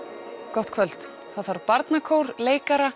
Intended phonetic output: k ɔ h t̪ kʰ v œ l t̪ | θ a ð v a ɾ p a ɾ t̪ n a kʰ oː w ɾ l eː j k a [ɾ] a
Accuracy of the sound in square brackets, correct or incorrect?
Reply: correct